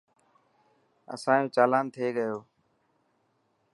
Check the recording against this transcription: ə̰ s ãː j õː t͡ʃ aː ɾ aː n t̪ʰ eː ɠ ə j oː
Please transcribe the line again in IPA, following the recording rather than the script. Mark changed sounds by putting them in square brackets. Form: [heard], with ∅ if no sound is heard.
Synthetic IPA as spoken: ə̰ s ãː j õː t͡ʃ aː [l] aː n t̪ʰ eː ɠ ə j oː